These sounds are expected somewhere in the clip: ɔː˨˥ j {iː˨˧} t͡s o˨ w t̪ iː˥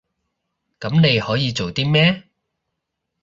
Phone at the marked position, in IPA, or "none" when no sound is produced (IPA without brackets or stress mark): iː˨˧